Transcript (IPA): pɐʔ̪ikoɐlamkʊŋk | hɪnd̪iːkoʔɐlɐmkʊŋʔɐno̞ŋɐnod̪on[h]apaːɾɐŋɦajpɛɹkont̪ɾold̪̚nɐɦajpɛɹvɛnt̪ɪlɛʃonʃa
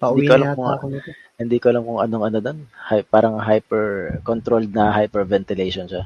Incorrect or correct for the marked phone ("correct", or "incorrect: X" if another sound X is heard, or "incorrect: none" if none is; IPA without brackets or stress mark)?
correct